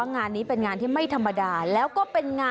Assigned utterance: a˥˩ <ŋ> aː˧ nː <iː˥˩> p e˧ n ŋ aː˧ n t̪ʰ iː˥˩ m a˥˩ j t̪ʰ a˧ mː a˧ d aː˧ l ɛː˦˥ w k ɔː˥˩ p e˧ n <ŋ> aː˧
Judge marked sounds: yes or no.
yes, no, yes

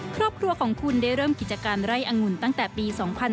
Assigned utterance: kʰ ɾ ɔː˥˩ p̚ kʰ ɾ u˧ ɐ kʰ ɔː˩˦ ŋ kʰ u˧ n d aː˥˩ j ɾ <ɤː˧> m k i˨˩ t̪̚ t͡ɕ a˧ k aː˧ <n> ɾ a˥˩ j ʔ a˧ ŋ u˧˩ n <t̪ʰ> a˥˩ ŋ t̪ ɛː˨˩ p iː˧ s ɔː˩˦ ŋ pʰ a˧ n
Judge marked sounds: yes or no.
no, yes, no

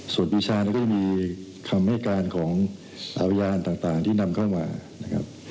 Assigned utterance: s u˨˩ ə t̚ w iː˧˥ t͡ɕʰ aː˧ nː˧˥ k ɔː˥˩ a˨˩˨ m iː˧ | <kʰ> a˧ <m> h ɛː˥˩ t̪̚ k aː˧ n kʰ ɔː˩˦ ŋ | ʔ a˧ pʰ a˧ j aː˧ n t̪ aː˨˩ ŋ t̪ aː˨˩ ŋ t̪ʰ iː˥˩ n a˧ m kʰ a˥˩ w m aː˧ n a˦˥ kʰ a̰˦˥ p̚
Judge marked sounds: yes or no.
yes, yes

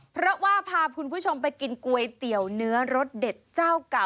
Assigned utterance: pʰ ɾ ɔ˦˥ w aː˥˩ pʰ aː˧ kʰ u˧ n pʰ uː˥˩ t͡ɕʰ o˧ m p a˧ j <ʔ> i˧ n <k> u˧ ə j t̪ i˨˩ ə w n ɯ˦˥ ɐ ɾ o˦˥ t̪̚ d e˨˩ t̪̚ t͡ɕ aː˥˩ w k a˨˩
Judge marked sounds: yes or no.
no, yes

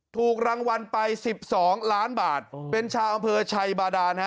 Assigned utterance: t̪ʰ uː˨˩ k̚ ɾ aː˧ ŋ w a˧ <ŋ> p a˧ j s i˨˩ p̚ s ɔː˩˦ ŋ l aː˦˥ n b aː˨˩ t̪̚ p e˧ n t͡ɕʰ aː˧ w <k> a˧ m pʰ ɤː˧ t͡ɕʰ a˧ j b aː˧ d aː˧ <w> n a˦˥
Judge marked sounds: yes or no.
no, no, no

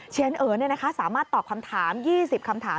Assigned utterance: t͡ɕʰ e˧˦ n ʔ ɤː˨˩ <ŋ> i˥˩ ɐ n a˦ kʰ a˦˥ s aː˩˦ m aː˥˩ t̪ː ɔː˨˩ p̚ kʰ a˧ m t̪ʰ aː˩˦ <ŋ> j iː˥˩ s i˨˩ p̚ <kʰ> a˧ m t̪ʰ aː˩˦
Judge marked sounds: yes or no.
no, no, yes

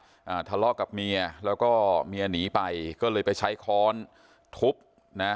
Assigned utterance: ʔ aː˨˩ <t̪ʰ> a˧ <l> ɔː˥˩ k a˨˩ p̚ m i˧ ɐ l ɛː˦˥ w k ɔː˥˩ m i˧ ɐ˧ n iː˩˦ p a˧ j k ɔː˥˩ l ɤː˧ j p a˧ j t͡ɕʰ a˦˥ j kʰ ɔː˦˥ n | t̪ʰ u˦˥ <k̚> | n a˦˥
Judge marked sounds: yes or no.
yes, yes, no

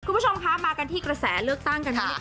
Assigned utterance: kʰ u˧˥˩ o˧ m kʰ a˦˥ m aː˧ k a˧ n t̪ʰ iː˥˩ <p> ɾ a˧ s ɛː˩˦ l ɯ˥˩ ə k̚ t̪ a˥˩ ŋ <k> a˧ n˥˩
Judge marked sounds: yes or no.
no, yes

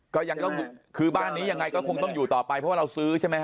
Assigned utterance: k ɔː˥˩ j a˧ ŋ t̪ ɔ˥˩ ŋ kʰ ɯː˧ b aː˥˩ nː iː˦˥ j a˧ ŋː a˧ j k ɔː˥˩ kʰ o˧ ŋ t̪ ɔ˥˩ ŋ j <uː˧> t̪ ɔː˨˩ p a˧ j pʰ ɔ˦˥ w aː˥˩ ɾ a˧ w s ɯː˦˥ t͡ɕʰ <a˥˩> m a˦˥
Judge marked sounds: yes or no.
no, yes

